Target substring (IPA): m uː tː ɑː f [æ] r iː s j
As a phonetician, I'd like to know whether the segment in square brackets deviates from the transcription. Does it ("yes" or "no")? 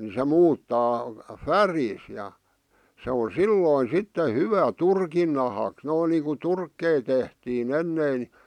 no